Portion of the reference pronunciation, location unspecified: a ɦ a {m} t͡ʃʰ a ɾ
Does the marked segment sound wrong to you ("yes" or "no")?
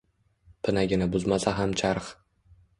no